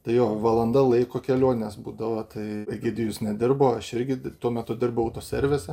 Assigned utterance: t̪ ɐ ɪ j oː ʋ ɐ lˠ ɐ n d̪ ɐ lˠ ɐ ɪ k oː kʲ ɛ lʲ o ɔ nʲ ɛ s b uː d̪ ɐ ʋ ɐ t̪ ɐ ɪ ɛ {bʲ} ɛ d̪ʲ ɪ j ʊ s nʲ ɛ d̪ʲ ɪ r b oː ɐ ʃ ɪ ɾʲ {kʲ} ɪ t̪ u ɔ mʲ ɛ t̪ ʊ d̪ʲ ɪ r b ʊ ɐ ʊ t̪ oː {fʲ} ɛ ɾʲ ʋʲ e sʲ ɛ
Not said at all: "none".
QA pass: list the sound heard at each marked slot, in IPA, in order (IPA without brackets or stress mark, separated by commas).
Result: ɡʲ, ɡʲ, sʲ